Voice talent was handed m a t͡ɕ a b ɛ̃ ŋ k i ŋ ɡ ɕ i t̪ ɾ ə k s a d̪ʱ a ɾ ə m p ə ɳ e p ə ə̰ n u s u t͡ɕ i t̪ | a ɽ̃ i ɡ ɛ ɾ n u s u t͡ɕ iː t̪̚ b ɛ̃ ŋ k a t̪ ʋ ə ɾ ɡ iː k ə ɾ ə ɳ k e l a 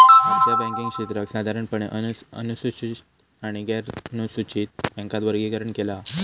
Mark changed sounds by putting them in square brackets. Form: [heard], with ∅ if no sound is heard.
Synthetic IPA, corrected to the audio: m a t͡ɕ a b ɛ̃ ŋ k i ŋ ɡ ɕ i t̪ ɾ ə k s a d̪ʱ a ɾ ə [ɳ] p ə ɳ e [ʔ] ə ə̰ n u s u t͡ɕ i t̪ | a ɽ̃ i ɡ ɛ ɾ n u s u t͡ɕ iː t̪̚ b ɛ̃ ŋ k a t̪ ʋ ə ɾ ɡ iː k ə ɾ ə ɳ k e l a